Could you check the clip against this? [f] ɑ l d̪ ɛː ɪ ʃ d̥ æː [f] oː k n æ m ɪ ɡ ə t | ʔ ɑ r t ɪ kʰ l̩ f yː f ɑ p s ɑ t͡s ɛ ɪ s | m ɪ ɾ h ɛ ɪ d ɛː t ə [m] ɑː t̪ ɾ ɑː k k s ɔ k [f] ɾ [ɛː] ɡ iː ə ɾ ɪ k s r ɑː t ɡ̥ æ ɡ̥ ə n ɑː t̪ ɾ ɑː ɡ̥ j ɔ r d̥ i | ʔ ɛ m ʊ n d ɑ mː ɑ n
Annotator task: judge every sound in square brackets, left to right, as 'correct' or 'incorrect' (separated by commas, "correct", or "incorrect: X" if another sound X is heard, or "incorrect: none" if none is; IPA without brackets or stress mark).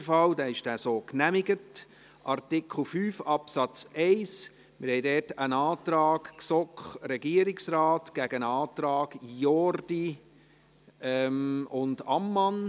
correct, incorrect: s, incorrect: n, incorrect: χ, incorrect: ɛ